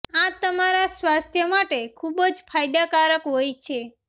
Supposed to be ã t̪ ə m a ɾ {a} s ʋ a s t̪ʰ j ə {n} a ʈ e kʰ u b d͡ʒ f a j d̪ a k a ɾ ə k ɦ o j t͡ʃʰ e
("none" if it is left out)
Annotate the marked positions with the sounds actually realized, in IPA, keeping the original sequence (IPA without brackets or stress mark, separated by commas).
a, m